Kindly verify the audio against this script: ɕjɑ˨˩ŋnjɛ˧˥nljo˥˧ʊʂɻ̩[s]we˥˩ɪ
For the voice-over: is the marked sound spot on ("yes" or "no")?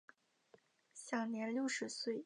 yes